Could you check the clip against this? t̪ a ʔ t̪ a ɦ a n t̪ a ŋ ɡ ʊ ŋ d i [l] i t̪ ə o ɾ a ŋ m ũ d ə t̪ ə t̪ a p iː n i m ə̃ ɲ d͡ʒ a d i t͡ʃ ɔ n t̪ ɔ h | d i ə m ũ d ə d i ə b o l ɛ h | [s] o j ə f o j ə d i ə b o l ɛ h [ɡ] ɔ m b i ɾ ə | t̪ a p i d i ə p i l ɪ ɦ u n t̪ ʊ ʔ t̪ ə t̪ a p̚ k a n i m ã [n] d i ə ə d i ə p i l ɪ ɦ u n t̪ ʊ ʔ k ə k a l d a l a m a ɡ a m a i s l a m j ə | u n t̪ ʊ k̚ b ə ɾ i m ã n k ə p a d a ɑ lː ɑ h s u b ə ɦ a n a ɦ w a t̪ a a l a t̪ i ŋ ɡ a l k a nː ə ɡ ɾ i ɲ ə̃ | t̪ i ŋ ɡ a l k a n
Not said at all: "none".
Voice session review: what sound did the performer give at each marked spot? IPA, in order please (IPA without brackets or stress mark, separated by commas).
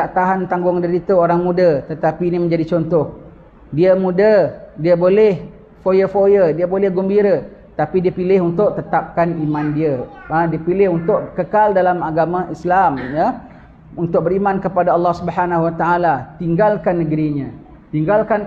ɾ, f, ɡ, n